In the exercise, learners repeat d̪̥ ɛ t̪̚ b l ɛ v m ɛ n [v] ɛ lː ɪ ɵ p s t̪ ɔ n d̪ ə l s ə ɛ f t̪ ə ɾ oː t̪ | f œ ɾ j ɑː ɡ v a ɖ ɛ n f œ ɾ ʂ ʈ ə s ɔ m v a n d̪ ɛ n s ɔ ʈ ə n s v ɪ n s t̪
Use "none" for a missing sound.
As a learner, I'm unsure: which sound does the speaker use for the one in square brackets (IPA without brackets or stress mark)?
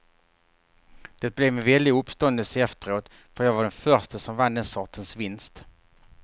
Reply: v